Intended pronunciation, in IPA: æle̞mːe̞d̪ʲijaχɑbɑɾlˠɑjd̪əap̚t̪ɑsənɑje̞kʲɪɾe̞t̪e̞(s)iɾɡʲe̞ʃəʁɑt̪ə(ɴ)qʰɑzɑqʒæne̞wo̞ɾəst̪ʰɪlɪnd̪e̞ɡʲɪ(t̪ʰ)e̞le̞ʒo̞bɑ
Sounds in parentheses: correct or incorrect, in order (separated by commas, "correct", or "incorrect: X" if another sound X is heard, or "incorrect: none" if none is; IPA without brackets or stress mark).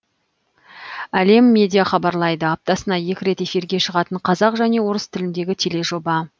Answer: incorrect: f, correct, correct